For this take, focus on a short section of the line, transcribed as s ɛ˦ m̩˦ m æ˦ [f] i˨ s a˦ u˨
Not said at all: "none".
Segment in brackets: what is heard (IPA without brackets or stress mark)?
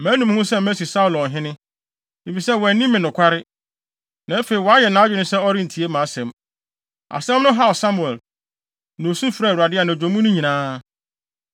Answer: s